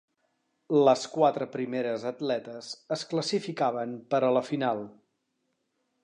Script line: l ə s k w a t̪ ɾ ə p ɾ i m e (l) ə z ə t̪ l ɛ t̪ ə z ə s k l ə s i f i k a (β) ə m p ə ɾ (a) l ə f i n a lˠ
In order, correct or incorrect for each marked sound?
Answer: incorrect: ɾ, correct, incorrect: ə

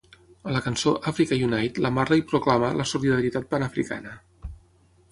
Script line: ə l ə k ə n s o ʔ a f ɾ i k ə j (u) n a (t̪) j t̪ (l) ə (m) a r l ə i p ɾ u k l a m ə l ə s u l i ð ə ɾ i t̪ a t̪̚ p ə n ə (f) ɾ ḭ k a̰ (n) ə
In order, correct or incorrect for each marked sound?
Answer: correct, incorrect: none, correct, correct, correct, correct

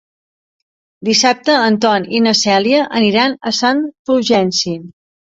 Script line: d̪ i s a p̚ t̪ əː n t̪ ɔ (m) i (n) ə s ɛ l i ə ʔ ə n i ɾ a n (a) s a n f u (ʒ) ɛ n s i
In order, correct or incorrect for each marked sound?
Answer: incorrect: n, correct, incorrect: ə, correct

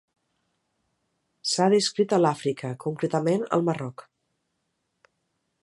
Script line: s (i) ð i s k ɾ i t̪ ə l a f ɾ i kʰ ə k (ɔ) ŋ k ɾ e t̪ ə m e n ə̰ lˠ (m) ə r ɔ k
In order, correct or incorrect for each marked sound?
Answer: incorrect: a, incorrect: u, correct

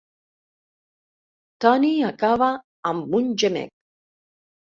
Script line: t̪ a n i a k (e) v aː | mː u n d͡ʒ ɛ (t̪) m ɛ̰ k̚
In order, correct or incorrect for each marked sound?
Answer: incorrect: a, incorrect: none

